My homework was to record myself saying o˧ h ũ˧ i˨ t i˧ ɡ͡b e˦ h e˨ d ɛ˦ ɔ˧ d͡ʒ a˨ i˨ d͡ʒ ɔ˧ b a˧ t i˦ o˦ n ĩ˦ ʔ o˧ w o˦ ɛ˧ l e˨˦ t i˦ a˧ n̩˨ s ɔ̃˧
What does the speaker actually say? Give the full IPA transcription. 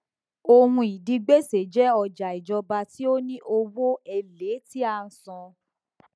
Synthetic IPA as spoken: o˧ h ũ˧ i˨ d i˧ ɡ͡b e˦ s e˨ d͡ʒ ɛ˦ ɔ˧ d͡ʒ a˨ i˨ d͡ʒ ɔ˧ b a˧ t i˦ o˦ n ĩ˦ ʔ o˧ w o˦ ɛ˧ l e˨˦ t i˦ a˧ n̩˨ s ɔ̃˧